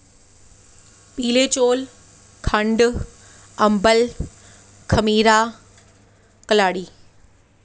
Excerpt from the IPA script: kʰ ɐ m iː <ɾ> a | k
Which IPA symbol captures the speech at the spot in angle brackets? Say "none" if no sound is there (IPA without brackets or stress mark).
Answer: ɾ